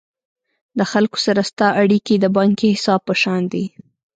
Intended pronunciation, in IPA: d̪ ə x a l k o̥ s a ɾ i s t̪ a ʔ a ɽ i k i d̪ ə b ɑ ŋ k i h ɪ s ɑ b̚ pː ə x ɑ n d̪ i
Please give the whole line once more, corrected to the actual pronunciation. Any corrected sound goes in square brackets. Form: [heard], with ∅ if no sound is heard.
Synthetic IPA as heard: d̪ ə x a l k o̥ s a ɾ [a] s t̪ [ɑ] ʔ a ɽ i k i d̪ ə b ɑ ŋ k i h ɪ s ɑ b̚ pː ə [ʃ] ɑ n d̪ i